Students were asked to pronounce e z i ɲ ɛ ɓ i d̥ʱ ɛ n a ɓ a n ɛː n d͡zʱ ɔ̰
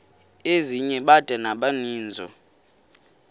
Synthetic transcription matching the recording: e z i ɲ ɛ ɓ a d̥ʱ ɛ n a ɓ a n iː n d͡zʱ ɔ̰